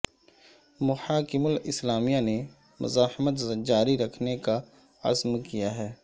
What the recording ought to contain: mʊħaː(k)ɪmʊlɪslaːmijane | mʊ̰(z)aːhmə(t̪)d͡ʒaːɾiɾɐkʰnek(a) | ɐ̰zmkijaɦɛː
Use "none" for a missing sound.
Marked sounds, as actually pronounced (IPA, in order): k, z, t̪, a

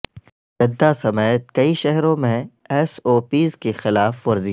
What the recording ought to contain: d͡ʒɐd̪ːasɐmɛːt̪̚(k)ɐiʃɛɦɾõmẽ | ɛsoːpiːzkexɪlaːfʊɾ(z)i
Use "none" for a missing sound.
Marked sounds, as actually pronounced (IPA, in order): k, z

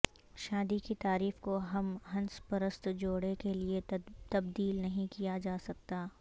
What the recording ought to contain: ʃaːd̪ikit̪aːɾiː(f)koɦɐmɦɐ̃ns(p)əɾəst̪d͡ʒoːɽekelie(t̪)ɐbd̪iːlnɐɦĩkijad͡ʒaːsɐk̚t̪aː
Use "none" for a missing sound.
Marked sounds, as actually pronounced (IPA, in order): f, p, t̪

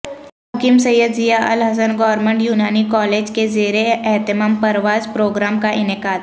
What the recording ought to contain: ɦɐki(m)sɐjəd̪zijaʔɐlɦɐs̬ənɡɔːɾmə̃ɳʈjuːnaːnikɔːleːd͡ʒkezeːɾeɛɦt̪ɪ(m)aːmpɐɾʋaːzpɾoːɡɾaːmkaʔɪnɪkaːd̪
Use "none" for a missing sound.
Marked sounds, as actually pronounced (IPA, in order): m, m

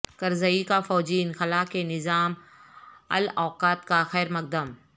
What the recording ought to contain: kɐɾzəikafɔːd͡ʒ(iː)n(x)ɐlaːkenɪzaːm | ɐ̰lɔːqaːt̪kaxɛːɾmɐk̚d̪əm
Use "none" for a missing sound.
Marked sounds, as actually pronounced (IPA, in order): iː, x

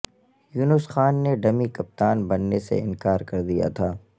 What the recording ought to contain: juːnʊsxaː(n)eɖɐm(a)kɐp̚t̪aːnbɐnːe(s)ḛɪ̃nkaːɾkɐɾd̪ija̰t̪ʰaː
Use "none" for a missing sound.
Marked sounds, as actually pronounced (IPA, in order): nː, i, s

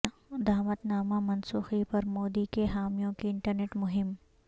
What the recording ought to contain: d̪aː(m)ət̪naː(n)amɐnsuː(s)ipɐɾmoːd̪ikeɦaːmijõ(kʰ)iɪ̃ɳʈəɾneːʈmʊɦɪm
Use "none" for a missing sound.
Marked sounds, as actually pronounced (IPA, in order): m, m, x, k

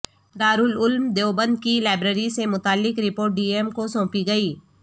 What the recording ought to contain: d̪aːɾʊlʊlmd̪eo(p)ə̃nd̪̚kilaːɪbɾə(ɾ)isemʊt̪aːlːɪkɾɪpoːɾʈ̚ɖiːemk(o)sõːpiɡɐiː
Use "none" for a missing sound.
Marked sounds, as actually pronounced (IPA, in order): b, ɾ, o

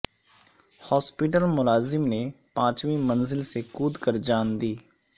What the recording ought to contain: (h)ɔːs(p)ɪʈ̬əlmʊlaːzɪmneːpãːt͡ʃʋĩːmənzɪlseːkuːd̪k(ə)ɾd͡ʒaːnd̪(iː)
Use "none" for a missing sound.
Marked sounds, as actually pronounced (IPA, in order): h, p, ə, iː

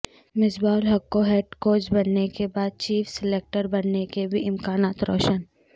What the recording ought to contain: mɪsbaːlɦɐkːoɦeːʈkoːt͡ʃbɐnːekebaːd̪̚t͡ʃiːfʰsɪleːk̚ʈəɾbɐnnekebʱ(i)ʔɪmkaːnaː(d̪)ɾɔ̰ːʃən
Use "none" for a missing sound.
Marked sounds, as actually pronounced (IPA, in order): i, t̪

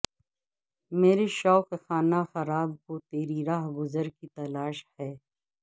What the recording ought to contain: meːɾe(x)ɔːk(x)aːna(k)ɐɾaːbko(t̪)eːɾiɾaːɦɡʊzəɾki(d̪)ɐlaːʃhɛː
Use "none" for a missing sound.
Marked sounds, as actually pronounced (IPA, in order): ʃ, x, x, t̪, t̪

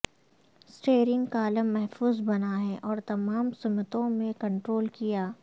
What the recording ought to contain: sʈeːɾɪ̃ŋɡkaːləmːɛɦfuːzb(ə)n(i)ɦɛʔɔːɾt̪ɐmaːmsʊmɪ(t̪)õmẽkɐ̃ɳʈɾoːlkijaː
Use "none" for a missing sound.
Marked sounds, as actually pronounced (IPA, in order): ɐ, a, t̪

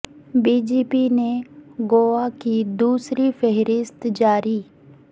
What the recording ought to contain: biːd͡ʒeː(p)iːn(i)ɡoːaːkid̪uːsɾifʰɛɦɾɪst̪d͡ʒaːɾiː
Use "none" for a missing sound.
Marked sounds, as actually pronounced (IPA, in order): p, e

